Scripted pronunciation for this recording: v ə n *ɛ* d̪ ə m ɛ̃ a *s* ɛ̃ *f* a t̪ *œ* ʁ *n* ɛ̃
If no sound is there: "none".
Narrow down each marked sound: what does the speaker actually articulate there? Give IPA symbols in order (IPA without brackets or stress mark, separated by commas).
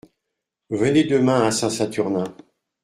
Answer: e, s, s, y, n